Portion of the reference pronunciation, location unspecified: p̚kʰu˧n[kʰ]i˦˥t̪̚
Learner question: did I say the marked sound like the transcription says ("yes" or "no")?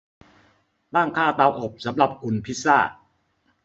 no